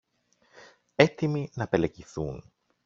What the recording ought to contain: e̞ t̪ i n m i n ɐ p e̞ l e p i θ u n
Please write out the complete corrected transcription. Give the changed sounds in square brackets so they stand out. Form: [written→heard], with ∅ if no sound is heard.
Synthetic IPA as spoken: e̞ t̪ i [n→∅] m i n ɐ p e̞ l e [p→c] i θ u n